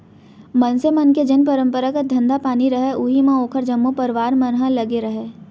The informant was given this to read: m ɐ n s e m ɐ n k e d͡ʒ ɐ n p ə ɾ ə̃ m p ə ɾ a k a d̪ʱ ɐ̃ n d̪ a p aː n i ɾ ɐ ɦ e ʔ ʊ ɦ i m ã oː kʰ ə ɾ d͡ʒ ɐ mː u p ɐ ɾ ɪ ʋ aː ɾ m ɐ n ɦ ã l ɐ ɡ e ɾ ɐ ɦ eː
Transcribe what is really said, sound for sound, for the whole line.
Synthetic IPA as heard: m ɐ n s e m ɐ n k e d͡ʒ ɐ n p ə ɾ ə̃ m p ə ɾ a k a d̪ʱ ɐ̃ n d̪ a p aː n i ɾ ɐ ɦ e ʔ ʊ ɦ i m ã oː kʰ ə ɾ d͡ʒ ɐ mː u p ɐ ɾ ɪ ʋ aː ɾ m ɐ n ɦ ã l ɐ ɡ e ɾ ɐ ɦ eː